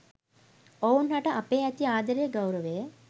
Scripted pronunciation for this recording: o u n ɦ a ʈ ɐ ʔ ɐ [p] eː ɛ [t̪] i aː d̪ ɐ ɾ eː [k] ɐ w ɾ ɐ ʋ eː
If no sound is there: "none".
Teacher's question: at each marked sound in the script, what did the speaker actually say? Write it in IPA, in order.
p, t̪, ɡ

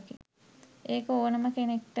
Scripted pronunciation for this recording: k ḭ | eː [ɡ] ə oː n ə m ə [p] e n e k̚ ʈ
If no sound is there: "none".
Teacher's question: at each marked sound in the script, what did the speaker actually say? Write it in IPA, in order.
k, k

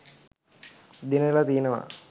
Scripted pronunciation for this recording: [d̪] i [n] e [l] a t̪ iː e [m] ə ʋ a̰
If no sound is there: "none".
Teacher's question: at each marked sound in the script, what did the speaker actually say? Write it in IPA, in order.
d̪, n, l, n

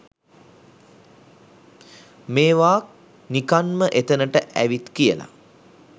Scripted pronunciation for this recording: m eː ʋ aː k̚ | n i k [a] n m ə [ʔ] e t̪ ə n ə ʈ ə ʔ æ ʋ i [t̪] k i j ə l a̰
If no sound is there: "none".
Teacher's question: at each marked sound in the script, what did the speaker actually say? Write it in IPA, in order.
a, ʔ, t̪

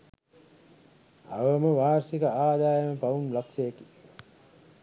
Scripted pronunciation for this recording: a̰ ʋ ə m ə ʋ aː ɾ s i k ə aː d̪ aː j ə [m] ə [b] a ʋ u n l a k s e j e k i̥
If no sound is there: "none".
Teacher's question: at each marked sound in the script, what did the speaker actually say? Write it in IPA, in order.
m, p

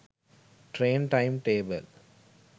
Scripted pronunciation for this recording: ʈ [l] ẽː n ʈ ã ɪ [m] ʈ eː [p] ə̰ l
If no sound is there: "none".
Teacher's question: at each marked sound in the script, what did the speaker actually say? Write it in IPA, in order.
ɾ, m, b

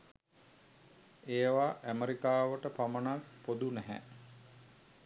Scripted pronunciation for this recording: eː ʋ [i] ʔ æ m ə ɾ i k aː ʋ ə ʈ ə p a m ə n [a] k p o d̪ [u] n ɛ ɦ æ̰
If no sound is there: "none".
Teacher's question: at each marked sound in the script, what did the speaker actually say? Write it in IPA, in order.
a, a, u

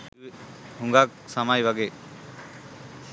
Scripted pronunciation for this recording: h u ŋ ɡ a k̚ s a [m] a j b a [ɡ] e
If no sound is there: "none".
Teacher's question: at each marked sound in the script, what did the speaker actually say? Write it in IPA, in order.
m, ɡ

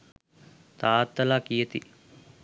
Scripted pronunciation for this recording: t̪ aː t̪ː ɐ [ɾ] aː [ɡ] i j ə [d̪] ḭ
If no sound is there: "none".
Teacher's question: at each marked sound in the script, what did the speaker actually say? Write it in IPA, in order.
l, k, t̪

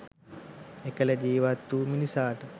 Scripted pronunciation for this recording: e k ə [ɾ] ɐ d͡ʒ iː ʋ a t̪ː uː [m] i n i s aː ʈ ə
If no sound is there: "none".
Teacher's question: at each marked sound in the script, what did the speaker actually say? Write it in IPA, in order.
l, m

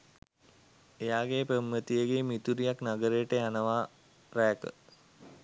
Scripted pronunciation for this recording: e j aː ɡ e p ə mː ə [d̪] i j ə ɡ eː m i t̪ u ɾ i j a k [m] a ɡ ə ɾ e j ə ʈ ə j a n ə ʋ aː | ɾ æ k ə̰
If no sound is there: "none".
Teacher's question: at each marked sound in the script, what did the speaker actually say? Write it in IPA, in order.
t̪, n

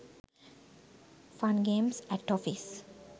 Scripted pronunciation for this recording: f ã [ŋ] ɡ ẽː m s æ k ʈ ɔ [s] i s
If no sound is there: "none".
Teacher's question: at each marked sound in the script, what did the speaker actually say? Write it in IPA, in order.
n, f

